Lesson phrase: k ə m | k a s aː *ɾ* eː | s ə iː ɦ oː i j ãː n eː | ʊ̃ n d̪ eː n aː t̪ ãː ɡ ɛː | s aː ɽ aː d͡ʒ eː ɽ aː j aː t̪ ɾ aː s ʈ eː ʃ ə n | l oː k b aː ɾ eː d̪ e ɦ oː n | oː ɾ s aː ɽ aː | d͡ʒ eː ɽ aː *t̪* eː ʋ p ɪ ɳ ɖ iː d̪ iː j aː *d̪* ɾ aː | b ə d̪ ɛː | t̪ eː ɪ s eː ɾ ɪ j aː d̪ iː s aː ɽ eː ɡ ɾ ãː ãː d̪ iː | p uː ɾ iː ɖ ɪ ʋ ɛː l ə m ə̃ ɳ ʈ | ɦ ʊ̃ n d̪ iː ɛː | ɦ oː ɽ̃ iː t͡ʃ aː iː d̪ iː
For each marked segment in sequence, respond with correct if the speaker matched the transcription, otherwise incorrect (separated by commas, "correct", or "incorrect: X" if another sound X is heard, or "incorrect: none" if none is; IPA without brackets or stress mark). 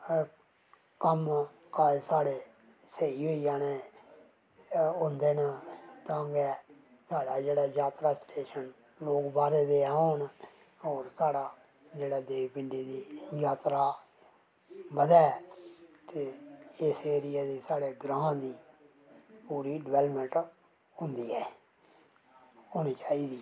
incorrect: ɽ, incorrect: d̪, incorrect: t̪